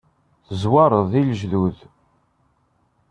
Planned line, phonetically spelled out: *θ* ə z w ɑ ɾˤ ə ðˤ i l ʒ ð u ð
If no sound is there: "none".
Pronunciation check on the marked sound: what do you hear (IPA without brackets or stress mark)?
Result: θ